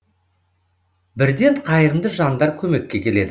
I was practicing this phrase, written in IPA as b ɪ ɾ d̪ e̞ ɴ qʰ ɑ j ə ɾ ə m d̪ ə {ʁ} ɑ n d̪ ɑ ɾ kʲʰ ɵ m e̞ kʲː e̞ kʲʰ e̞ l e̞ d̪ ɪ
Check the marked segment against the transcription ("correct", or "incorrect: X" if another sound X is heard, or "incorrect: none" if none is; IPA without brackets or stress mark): incorrect: ʒ